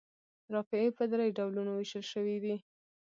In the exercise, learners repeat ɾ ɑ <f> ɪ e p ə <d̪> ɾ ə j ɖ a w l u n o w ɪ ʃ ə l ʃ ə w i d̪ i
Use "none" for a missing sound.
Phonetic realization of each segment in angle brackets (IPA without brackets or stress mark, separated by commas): f, d̪